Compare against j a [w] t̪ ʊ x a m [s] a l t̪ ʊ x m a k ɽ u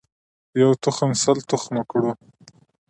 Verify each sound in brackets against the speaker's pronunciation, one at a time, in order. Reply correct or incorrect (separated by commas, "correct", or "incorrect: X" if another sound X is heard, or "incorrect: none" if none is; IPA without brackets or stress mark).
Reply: correct, correct